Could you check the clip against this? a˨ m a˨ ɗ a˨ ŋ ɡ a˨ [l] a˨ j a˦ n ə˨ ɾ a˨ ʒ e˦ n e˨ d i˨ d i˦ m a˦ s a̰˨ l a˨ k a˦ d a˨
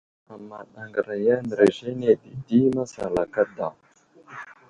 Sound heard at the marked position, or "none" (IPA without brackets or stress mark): ɾ